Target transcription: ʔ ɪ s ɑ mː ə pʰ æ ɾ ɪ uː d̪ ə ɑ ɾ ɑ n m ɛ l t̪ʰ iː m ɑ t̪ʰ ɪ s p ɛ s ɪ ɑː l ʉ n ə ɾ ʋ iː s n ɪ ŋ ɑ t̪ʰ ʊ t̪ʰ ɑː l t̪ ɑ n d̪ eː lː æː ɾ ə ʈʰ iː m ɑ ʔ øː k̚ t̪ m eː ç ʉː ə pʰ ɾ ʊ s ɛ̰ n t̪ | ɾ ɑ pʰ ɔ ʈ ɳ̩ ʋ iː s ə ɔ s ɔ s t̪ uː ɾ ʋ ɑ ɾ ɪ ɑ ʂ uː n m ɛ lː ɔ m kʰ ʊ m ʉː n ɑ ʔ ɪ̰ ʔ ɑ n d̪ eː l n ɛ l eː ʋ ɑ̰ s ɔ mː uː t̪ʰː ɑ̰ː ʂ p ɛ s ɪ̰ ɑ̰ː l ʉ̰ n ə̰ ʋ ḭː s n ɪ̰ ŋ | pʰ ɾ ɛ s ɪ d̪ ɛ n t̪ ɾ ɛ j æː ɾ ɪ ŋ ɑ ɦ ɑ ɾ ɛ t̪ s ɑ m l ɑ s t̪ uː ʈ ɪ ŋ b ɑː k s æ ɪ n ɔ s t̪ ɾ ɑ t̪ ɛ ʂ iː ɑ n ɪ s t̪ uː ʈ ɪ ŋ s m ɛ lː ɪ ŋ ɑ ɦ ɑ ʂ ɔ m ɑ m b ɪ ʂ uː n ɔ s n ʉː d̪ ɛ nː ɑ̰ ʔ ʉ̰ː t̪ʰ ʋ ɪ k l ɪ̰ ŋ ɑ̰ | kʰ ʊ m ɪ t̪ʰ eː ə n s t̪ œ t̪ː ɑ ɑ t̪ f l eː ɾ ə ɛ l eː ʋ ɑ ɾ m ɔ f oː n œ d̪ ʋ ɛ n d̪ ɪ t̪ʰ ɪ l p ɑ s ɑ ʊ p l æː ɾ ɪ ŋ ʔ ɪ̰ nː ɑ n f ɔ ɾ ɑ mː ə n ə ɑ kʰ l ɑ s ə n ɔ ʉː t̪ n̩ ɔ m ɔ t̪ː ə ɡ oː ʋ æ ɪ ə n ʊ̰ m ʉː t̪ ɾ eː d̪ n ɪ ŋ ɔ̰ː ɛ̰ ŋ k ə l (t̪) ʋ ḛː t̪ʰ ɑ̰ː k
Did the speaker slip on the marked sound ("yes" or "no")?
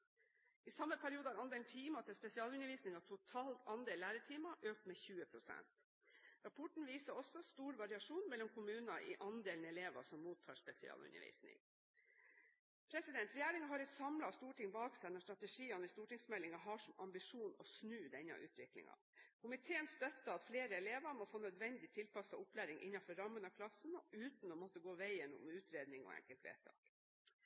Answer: no